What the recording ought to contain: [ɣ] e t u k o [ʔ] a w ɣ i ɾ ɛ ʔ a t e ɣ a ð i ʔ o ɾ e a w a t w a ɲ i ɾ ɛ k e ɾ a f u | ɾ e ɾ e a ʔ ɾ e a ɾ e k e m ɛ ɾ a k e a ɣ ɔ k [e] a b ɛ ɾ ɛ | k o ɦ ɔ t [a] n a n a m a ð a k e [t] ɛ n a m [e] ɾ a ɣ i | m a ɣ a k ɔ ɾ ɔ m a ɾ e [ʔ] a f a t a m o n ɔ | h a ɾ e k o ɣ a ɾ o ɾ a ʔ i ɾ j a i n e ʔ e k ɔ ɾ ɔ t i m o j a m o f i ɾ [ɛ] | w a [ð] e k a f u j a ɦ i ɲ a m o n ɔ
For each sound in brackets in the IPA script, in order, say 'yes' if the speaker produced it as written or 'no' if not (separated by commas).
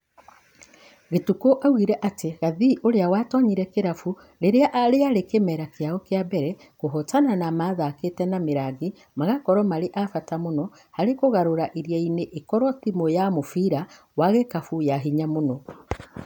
yes, yes, yes, yes, yes, yes, yes, no, no